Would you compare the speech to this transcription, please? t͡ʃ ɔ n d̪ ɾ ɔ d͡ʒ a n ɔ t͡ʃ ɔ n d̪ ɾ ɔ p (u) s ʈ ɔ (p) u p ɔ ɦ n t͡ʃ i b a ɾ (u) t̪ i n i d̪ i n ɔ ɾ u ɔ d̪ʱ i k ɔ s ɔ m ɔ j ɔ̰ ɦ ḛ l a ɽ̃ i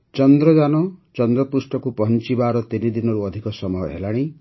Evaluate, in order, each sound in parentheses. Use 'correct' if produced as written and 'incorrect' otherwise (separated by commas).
correct, incorrect, incorrect